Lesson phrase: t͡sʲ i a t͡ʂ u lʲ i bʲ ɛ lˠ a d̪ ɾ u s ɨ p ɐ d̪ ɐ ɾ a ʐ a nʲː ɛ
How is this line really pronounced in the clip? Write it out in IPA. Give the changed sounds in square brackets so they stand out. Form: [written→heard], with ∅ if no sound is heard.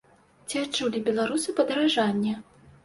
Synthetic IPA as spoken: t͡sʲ i a t͡ʂ u lʲ i bʲ ɛ lˠ a [d̪→∅] ɾ u s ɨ p ɐ d̪ ɐ ɾ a ʐ a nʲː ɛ